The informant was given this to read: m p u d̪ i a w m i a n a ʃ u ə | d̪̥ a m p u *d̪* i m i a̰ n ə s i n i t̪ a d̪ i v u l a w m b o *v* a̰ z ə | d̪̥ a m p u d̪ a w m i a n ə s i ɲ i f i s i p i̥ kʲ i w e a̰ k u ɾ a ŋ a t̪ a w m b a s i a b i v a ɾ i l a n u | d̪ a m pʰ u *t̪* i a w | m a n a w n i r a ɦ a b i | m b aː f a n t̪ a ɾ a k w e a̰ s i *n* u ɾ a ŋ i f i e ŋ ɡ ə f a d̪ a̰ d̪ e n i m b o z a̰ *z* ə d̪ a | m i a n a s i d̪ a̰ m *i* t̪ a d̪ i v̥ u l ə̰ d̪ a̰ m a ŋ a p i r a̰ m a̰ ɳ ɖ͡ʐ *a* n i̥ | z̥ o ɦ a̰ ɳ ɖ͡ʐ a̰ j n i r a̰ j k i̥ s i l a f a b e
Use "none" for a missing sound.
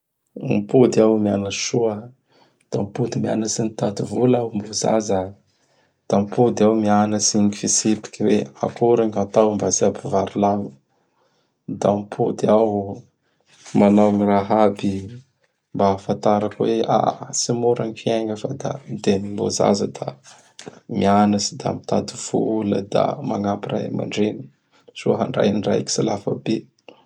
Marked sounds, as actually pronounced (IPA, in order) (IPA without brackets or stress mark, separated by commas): d̪, z, d̪, m, z, i, e